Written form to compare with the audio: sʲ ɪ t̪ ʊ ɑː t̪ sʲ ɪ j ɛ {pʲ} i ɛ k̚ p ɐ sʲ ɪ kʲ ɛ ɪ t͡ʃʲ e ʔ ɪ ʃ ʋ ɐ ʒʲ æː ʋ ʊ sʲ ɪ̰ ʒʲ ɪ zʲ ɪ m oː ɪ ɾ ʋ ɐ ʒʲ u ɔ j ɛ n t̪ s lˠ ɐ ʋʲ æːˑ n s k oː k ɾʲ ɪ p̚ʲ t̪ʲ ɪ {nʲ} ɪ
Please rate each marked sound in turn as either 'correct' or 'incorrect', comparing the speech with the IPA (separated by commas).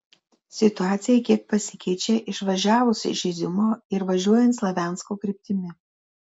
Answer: incorrect, incorrect